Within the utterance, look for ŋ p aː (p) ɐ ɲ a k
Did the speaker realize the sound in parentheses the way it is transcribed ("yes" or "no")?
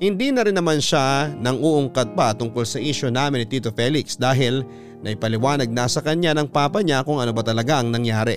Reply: yes